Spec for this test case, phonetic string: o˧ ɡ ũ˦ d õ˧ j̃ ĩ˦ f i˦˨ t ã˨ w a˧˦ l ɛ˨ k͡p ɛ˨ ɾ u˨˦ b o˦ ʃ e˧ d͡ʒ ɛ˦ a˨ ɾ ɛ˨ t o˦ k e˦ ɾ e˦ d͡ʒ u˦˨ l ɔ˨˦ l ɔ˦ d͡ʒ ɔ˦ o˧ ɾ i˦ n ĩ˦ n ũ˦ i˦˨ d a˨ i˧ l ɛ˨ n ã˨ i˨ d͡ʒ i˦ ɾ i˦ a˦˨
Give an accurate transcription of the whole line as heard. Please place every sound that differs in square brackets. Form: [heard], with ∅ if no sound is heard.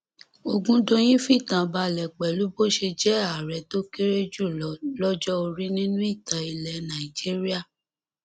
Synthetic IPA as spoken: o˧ ɡ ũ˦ d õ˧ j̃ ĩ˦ f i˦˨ t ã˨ [b] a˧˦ l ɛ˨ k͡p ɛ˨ [l] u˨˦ b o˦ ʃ e˧ d͡ʒ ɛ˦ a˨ ɾ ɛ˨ t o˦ k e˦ ɾ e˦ d͡ʒ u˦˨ l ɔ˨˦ l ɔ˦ d͡ʒ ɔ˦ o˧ ɾ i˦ n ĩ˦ n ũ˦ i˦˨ [t] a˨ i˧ l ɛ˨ n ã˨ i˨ d͡ʒ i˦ ɾ i˦ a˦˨